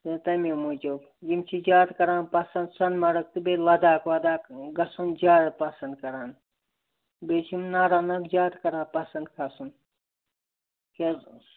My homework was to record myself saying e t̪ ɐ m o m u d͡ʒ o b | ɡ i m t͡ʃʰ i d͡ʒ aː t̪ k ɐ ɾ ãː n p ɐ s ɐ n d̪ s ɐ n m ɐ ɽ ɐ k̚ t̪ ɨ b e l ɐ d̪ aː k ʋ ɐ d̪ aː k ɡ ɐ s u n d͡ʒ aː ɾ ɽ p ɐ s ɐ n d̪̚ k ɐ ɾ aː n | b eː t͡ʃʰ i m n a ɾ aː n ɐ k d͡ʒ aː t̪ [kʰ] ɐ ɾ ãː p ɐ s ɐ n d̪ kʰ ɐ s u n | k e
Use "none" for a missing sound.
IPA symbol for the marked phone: k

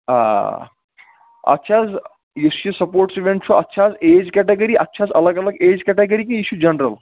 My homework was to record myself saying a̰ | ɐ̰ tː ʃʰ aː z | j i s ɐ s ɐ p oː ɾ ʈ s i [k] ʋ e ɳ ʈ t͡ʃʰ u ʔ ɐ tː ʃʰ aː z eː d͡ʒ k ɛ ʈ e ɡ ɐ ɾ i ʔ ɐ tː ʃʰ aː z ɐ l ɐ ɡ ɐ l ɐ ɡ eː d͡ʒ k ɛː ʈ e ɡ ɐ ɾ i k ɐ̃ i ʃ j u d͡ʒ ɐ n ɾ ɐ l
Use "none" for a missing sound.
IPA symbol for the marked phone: none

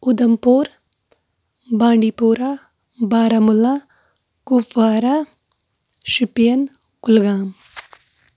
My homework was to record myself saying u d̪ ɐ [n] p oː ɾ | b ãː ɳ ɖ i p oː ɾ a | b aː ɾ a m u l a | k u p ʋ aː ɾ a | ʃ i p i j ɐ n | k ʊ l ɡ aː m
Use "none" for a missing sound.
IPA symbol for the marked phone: m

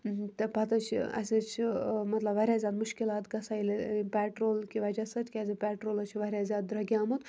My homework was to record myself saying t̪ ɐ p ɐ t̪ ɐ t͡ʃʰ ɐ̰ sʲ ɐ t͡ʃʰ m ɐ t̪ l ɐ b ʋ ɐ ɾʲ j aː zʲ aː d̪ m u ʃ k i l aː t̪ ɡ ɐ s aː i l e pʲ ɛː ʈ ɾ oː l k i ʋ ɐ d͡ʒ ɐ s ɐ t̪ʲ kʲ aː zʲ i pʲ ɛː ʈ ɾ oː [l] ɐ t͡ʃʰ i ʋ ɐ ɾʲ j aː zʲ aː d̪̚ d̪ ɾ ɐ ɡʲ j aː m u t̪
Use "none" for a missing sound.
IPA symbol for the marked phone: l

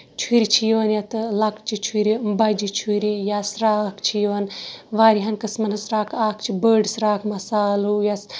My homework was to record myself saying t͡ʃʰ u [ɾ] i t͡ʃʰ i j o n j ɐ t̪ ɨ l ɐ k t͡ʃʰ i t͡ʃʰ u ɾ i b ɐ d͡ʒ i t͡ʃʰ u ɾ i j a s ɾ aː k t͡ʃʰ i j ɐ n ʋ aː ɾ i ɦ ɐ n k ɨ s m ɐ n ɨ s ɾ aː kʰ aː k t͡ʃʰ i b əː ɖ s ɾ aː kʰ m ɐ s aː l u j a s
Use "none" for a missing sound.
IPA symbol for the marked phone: ɾ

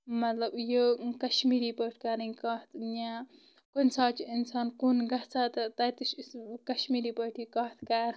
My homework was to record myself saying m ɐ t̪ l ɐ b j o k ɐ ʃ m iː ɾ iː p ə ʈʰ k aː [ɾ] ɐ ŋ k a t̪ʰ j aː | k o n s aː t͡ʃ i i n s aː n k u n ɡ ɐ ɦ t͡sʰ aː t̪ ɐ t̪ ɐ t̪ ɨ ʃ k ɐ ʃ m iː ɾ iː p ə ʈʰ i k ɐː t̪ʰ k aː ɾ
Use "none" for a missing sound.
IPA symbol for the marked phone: ɾ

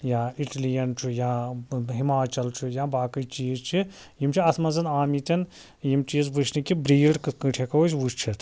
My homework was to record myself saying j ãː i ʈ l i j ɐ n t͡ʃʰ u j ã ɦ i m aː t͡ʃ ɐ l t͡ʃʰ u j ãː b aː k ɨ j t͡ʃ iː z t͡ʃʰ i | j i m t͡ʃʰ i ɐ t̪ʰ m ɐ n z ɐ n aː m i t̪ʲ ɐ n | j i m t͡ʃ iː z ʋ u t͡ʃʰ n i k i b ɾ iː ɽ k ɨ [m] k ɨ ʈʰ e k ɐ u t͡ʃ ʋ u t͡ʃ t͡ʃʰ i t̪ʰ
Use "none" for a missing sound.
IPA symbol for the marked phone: none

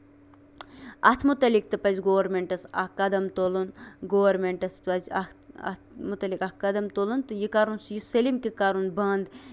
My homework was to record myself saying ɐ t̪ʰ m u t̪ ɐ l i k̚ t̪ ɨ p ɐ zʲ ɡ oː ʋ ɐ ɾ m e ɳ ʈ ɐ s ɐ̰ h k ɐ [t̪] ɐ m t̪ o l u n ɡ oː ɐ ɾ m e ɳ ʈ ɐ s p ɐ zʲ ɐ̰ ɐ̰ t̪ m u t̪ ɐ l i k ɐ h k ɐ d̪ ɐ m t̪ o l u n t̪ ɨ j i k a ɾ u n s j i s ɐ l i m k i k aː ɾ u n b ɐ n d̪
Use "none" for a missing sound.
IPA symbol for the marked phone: d̪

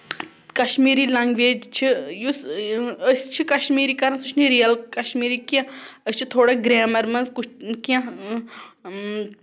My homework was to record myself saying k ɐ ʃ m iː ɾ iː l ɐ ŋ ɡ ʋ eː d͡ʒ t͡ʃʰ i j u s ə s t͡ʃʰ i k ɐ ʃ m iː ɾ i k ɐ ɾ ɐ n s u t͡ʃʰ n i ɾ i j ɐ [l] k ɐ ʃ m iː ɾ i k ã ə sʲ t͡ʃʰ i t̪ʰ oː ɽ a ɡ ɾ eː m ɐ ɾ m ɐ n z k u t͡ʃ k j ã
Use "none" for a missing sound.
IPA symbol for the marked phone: l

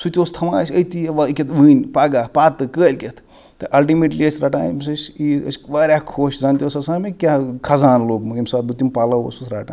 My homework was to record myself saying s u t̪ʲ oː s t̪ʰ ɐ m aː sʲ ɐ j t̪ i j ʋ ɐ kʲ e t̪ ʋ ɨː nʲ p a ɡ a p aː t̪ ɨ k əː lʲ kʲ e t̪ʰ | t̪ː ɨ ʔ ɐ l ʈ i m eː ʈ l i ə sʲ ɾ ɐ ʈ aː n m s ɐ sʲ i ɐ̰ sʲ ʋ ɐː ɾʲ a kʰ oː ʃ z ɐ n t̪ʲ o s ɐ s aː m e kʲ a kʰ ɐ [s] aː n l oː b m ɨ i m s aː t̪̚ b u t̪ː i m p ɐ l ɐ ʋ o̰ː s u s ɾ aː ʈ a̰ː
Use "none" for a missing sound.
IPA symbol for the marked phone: z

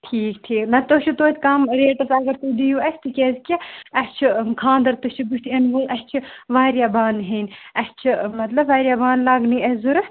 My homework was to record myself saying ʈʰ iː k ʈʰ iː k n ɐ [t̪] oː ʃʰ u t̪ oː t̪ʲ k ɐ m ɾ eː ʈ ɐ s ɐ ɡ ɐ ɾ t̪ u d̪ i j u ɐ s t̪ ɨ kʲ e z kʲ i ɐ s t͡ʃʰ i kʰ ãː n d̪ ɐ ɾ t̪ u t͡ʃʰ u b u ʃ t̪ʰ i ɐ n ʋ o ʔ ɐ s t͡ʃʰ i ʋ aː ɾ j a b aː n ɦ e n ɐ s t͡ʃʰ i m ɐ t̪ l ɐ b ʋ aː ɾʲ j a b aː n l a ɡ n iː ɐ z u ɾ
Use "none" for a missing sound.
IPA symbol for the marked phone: t̪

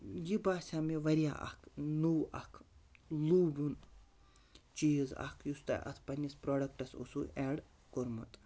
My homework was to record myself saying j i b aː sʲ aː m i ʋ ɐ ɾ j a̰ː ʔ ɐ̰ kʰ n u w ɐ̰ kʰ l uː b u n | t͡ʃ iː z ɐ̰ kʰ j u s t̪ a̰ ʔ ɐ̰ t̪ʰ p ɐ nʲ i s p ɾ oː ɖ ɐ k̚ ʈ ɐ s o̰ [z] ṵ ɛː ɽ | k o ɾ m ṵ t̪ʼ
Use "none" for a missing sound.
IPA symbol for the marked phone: s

